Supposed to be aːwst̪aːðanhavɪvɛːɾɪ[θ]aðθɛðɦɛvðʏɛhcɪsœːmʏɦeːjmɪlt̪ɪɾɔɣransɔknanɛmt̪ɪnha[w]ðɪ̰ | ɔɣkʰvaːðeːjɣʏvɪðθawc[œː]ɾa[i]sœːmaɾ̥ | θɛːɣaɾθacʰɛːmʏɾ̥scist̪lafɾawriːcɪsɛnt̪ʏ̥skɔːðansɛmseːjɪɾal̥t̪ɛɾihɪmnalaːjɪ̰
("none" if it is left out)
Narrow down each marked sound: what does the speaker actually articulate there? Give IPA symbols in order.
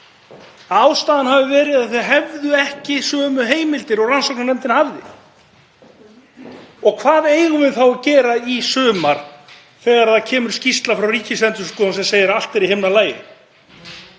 ð, v, ɛː, i

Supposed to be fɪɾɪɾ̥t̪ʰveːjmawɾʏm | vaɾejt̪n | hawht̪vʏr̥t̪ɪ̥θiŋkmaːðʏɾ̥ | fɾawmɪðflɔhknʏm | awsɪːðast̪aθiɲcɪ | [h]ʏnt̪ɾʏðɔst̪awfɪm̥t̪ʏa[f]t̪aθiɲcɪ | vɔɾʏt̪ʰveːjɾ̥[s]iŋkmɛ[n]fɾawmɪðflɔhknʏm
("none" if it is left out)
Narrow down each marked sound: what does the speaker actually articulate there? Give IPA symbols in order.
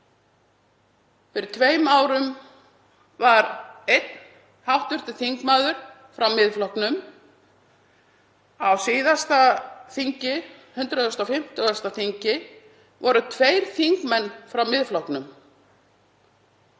h, s, θ, nː

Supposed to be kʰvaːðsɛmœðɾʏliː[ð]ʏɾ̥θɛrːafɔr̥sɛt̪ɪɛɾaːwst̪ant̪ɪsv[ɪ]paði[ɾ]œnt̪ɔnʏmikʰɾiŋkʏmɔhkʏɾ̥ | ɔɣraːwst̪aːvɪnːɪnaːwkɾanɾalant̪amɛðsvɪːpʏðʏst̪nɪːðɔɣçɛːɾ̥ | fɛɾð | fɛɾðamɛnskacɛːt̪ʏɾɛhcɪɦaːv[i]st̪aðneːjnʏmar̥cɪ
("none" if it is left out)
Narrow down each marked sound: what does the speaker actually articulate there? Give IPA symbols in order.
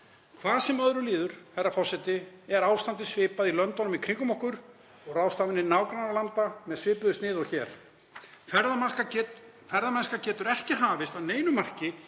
ð, ɪː, l, ɪ

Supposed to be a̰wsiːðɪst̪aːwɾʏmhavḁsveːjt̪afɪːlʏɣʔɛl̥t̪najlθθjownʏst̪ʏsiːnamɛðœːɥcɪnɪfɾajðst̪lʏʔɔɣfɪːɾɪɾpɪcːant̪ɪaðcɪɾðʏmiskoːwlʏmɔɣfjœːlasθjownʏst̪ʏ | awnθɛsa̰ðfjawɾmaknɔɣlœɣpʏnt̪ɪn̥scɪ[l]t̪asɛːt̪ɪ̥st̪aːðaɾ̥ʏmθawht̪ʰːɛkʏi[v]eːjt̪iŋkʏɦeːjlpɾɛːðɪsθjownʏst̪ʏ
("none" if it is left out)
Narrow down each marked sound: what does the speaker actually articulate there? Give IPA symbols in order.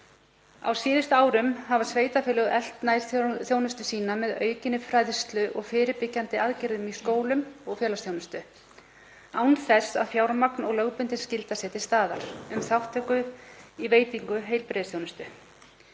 l, v

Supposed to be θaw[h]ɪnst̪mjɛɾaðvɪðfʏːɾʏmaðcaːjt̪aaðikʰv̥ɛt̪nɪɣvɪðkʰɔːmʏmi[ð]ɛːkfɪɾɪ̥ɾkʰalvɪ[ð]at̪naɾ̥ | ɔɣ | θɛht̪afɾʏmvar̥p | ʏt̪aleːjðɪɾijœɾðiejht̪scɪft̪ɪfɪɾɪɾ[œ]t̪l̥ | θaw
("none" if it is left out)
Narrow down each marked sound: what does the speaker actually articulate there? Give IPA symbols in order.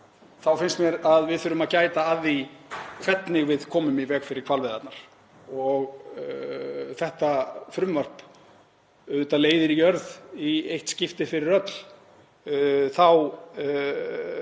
f, v, ð, œ

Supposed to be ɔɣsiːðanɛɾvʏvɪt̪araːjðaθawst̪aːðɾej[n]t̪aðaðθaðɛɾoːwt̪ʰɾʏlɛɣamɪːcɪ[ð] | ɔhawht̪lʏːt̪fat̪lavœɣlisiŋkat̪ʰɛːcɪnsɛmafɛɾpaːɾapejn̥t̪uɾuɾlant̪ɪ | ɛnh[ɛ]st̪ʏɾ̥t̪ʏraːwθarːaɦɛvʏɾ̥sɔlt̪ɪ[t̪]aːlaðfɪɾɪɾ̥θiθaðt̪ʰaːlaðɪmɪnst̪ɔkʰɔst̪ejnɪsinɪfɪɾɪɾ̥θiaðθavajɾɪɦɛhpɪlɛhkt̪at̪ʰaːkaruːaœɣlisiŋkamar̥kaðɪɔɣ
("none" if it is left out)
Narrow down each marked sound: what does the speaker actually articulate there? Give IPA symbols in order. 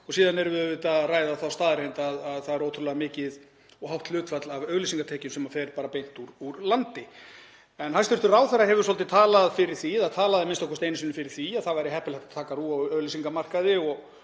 n, ð, a, t̪ʰ

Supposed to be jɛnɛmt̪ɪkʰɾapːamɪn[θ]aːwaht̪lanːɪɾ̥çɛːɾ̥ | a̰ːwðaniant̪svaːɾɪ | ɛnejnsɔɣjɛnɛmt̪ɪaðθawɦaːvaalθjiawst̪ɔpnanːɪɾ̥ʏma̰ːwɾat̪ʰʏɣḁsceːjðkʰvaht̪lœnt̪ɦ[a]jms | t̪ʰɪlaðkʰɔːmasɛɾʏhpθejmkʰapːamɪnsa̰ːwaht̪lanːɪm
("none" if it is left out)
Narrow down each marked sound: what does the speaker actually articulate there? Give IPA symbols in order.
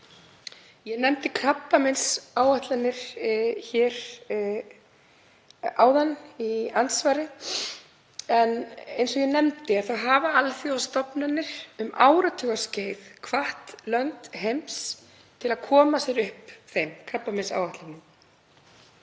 s, e

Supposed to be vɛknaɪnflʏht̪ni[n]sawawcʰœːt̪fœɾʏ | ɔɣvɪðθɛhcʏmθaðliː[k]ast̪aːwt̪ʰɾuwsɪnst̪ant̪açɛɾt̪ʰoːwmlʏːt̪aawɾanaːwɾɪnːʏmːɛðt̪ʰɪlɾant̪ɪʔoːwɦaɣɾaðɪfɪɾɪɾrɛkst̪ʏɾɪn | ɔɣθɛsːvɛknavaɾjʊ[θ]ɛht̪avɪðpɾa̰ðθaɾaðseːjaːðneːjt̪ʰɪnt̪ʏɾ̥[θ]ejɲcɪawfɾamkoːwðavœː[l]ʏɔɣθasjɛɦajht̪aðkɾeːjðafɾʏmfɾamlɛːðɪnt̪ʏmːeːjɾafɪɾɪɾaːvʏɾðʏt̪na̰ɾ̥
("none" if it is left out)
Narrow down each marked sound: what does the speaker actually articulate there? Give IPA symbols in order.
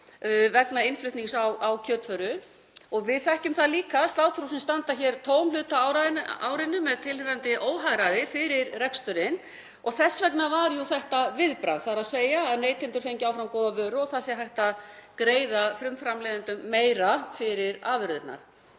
ŋ, k, θ, f, ɾ

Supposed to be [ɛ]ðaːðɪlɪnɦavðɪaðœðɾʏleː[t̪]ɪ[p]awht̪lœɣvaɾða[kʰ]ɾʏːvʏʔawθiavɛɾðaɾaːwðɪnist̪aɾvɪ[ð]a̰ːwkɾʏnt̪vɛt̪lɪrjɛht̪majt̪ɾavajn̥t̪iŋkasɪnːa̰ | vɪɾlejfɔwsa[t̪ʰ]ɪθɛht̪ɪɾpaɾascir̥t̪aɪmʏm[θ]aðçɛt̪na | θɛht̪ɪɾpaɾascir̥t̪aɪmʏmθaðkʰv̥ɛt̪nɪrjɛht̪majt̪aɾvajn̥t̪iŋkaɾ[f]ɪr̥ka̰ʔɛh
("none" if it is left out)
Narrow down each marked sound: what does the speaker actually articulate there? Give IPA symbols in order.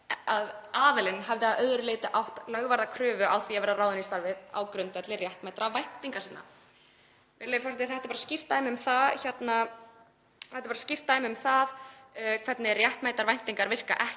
a, t̪, ʔ, kʰ, ð, t̪, θ, v

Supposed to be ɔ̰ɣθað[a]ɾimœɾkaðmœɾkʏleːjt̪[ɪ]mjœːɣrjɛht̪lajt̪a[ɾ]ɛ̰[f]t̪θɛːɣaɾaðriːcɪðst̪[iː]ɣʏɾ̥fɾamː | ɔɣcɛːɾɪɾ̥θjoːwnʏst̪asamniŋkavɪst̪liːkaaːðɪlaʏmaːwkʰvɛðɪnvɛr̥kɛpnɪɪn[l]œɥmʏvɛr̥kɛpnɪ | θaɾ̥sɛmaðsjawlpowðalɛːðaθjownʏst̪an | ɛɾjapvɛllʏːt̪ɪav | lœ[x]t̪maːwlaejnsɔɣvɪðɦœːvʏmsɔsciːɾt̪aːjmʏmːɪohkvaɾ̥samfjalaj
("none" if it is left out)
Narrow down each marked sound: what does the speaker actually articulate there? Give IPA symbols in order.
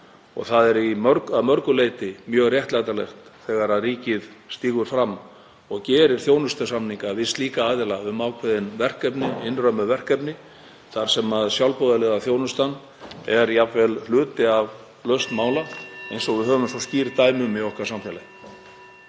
ɛ, ɪ, l, x, iː, r, s

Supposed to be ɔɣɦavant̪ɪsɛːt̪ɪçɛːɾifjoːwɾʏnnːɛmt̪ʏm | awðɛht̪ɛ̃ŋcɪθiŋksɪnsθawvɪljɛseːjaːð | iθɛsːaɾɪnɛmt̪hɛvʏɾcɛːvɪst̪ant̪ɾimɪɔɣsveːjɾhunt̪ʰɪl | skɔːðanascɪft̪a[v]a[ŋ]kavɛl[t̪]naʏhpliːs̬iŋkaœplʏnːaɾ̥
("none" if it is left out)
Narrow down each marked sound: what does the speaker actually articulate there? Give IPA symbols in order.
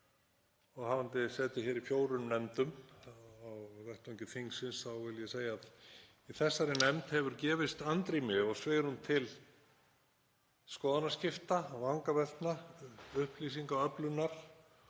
v, ŋ, t̪

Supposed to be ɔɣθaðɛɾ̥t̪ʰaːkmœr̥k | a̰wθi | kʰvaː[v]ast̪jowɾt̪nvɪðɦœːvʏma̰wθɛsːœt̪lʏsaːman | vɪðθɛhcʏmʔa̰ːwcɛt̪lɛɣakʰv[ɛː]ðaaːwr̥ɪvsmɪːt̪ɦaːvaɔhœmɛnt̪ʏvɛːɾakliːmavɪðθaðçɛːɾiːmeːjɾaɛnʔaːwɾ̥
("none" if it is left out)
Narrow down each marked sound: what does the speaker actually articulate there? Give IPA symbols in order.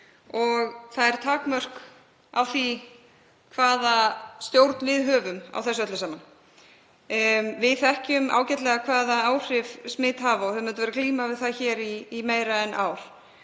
ð, aː

